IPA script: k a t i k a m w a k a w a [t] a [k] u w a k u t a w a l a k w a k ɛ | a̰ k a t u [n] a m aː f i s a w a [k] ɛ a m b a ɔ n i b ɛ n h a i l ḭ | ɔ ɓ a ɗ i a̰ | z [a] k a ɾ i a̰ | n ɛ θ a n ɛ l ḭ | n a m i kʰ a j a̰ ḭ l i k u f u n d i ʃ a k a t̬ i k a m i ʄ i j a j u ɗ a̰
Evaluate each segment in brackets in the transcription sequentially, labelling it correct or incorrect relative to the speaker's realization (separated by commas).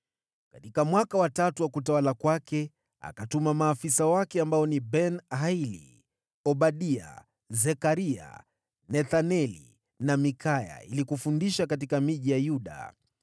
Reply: correct, incorrect, incorrect, correct, incorrect